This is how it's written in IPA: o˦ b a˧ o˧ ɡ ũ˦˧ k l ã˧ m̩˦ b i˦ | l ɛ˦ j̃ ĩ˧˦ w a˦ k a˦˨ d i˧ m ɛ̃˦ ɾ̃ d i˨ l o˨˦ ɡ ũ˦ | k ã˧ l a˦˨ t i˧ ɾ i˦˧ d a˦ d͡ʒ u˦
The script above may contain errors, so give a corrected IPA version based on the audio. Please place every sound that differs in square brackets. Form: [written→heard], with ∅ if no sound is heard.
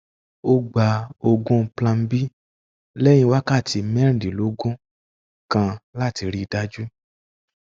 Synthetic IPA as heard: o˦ [b→ɡ͡b] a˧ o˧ ɡ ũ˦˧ [k→p] l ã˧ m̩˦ b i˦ | l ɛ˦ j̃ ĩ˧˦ w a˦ k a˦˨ [d→t] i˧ m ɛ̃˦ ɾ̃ d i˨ l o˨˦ ɡ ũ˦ | k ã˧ l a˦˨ t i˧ ɾ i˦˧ d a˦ d͡ʒ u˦